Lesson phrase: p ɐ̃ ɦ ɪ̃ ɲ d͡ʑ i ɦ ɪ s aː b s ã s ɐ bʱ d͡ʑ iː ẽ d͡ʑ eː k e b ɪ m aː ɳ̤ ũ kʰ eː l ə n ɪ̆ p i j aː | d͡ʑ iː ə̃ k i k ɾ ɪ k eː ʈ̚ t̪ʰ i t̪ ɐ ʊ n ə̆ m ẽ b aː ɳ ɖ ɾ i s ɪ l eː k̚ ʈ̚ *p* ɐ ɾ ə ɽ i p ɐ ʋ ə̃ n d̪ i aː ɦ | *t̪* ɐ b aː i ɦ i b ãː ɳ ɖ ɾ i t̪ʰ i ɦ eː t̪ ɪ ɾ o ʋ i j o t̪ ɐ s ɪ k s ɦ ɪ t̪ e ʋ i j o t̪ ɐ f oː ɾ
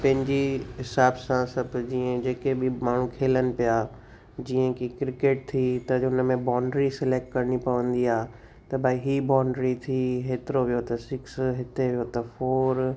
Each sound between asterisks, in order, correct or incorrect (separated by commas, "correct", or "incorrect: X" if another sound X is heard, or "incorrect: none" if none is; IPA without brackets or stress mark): incorrect: k, correct